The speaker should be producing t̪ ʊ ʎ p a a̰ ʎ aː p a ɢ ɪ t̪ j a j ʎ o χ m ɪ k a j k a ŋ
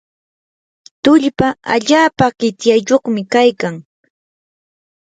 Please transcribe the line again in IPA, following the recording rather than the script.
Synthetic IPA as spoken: t̪ ʊ ʎ p a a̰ ʎ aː p a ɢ ɪ t̪ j a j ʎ o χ m ɪ k a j k a ŋ